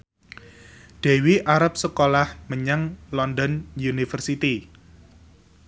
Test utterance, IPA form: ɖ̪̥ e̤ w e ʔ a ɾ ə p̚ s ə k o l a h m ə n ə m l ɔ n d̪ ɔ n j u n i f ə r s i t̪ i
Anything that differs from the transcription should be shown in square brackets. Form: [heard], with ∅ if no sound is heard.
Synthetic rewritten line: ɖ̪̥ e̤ w [i] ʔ a ɾ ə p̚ s ə k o l a h m ə [ɲ] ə [ŋ] l ɔ n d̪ ɔ n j u n i f ə r s i t̪ i